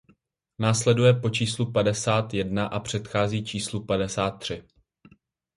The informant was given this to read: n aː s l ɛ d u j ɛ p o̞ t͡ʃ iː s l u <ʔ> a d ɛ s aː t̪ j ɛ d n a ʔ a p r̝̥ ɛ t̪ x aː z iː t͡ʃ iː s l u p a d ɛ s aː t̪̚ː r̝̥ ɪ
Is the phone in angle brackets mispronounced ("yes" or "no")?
yes